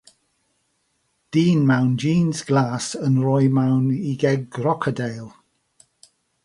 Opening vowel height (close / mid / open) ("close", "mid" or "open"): close